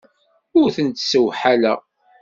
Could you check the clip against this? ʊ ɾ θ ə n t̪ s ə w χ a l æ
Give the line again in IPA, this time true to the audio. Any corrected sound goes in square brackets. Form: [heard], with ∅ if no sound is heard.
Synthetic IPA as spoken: ʊ ɾ θ ə n t̪ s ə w [ħ] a l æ